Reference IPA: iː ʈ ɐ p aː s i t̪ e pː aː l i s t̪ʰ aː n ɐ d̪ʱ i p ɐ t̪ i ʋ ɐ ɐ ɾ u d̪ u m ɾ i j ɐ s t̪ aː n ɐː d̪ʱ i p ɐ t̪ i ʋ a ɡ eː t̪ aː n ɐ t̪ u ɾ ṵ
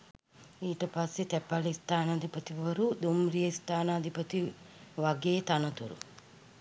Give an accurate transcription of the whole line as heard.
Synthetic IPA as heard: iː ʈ ɐ p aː s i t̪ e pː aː l i s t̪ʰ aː n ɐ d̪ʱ i p ɐ t̪ i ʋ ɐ ɐ ɾ u d̪ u m ɾ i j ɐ s t̪ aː n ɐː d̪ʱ i p ɐ t̪ i ʋ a ɡ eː t̪ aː n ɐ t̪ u ɾ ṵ